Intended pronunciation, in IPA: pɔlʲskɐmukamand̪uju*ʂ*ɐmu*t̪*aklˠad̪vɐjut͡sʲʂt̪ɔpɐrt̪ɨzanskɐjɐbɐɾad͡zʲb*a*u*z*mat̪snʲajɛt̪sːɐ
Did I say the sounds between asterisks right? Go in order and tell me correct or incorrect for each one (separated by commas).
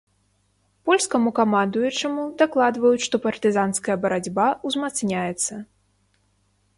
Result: incorrect, incorrect, correct, correct